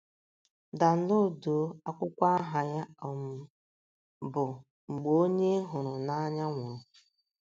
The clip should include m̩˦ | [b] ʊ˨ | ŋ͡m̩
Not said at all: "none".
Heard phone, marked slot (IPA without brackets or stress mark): b